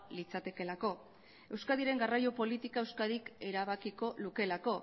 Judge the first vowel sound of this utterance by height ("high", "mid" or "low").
high